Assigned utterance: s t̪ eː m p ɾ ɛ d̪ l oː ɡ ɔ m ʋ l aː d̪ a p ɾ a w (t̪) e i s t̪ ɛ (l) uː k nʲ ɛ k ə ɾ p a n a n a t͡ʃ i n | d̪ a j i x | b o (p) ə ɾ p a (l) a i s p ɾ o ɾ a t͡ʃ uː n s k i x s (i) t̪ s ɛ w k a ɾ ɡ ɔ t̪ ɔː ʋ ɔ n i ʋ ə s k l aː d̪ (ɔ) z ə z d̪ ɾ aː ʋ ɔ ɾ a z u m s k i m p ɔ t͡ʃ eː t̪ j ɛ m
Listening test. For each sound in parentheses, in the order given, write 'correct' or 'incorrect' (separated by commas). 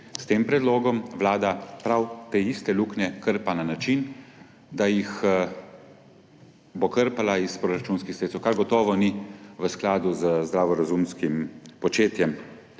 correct, correct, incorrect, correct, incorrect, incorrect